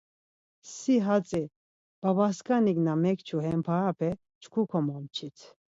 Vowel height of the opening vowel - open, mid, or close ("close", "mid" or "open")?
close